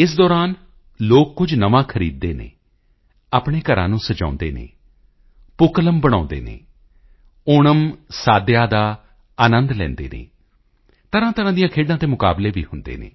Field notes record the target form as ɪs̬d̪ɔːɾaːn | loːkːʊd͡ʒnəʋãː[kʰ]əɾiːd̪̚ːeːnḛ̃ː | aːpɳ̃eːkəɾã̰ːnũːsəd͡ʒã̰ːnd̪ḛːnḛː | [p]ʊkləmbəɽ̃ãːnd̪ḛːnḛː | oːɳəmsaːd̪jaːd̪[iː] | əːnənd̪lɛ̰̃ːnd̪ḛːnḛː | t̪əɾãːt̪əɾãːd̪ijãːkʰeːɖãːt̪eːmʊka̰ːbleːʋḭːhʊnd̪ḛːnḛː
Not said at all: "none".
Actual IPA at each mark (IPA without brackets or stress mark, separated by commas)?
kʰ, p, aː